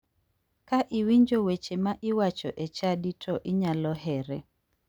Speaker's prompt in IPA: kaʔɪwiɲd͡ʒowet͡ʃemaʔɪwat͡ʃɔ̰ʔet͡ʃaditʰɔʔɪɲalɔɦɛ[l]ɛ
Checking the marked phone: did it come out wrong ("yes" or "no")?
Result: yes